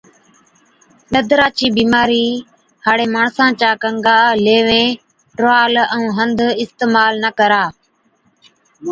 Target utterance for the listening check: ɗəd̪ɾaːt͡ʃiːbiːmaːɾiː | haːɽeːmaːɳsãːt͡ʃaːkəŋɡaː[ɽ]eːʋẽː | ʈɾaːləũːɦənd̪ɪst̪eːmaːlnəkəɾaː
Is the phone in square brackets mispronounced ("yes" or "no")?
yes